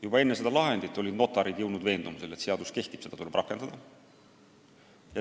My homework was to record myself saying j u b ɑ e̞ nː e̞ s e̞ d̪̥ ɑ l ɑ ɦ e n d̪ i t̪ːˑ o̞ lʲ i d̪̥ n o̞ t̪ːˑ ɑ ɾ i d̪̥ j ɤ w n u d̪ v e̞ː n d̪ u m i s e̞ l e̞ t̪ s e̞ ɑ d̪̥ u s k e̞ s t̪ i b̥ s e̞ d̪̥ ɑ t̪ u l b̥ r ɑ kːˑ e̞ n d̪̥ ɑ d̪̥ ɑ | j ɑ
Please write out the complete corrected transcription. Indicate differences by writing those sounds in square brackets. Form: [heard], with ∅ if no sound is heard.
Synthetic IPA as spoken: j u b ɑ e̞ nː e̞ s e̞ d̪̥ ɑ l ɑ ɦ e n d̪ i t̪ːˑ o̞ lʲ i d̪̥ n o̞ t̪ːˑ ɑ ɾ i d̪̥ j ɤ w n u d̪ v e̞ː n d̪ u m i s e̞ l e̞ t̪ s e̞ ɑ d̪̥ u s k e̞ [h] t̪ i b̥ s e̞ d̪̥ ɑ t̪ u l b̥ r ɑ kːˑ e̞ n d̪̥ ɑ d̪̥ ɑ | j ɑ